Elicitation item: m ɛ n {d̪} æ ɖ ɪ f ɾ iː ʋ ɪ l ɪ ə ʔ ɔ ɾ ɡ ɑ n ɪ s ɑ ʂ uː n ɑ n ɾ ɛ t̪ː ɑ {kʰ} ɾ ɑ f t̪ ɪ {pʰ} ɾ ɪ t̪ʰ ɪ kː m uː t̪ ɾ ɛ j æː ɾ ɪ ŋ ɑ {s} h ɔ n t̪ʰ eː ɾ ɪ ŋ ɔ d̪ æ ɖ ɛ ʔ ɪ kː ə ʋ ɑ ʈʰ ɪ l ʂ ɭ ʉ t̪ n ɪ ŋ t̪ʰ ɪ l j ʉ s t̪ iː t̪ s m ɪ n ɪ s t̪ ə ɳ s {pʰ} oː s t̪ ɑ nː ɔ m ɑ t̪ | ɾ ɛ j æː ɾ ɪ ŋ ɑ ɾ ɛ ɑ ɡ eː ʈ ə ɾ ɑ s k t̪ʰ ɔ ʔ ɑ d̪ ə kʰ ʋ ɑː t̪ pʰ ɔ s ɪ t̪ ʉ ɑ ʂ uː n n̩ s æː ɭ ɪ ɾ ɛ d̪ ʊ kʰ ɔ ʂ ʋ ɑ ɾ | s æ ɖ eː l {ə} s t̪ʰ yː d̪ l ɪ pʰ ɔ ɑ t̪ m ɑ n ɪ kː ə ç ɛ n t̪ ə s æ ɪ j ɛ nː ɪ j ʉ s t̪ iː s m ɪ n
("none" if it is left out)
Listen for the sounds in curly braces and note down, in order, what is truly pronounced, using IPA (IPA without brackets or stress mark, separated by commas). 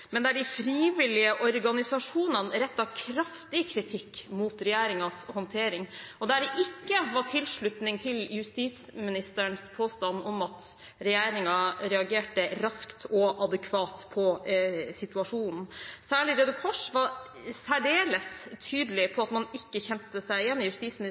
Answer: d̪, kʰ, kʰ, s, pʰ, ə